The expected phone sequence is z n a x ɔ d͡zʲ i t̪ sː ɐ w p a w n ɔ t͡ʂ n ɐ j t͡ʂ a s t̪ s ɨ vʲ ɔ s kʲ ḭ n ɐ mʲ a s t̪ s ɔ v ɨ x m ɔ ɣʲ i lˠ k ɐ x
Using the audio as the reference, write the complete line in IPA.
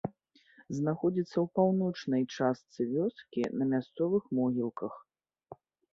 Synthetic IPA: z n a x ɔ d͡zʲ i t̪ sː ɐ w p a w n ɔ t͡ʂ n ɐ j t͡ʂ a s t̪ s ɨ vʲ ɔ s kʲ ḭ n ɐ mʲ a s t̪ s ɔ v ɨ x m ɔ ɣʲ i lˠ k ɐ x